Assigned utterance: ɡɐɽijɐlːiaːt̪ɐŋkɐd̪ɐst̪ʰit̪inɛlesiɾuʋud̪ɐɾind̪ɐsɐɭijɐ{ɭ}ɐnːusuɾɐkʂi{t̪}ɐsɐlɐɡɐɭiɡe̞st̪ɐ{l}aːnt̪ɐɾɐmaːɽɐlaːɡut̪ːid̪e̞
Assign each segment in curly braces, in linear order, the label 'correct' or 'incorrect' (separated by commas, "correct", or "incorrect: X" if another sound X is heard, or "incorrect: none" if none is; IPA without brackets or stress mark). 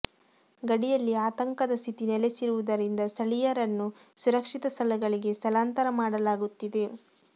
incorrect: ɾ, correct, correct